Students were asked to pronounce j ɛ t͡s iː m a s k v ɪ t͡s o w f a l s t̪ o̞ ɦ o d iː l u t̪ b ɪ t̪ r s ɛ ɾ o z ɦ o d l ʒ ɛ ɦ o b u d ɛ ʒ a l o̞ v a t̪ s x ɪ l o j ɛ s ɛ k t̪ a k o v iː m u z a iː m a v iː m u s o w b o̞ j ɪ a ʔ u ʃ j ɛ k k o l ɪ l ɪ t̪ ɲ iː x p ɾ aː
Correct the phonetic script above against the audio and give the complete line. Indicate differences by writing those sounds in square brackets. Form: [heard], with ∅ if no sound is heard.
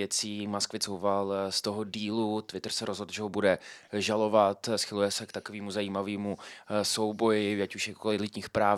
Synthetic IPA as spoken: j ɛ t͡s iː m a s k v ɪ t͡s o w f a l s t̪ o̞ ɦ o d iː l u t̪ [v] ɪ t̪ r s ɛ ɾ o z ɦ o d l ʒ ɛ ɦ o b u d ɛ ʒ a l o̞ v a t̪ s x ɪ l [u] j ɛ s ɛ k t̪ a k o v iː m u z a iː m a v iː m u s o w b o̞ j ɪ a [c] u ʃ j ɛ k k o l ɪ l ɪ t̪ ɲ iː x p ɾ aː